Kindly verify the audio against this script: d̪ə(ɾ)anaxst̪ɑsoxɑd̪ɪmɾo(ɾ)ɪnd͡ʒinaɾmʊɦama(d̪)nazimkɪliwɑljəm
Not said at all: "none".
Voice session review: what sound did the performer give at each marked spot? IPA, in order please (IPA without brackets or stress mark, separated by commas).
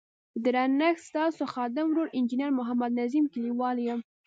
ɾ, ɾ, d̪